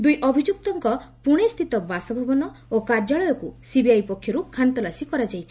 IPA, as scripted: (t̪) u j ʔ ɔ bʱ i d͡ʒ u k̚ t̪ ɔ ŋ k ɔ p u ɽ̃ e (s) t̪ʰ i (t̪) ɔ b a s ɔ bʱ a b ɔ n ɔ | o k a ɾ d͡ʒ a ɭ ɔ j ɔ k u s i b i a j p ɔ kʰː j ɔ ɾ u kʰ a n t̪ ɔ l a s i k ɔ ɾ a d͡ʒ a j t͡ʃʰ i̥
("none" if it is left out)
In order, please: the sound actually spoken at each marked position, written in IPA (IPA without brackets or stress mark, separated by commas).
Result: d̪, s, t̪